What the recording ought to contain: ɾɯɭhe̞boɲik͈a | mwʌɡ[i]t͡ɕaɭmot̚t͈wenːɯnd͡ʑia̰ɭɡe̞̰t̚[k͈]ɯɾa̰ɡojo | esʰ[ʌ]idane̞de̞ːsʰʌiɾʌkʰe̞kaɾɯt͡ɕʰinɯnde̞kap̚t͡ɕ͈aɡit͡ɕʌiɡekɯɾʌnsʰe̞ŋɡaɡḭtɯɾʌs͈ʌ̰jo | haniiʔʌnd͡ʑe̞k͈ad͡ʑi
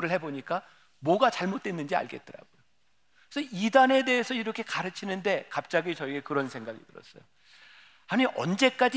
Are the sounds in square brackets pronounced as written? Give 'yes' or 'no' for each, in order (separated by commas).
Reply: no, no, yes